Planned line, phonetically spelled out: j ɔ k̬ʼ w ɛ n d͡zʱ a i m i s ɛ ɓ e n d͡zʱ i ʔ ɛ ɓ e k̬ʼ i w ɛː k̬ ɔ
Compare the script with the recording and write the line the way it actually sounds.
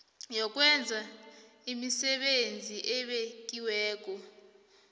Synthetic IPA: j ɔ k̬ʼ w ɛ n d͡zʱ a i m i s ɛ ɓ e n d͡zʱ i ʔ ɛ ɓ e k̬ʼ i w ɛː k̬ ɔ